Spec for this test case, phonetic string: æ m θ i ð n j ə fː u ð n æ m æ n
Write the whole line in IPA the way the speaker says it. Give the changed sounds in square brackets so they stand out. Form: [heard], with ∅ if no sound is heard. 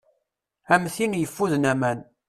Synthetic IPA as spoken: æ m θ i [∅] n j ə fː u ð n æ m æ n